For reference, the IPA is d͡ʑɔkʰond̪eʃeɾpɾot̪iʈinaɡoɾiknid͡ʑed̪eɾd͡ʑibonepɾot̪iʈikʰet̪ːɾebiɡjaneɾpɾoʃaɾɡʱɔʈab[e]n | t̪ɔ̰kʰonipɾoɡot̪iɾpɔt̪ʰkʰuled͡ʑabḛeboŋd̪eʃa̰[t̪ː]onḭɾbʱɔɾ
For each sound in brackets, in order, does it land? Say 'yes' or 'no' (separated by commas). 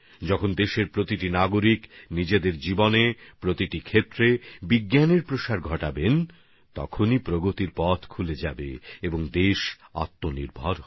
yes, yes